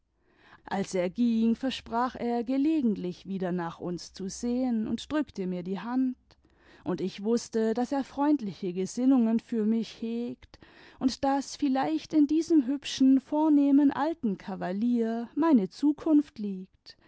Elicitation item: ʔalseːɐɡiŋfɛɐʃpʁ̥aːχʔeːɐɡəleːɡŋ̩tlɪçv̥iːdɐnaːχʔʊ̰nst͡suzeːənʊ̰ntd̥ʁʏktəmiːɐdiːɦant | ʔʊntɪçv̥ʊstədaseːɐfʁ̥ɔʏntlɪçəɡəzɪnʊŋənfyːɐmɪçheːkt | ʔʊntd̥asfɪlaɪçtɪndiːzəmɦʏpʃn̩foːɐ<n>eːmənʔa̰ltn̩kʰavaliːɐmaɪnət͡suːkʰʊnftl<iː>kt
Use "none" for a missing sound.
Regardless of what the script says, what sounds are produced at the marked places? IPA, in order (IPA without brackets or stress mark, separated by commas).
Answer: n, iː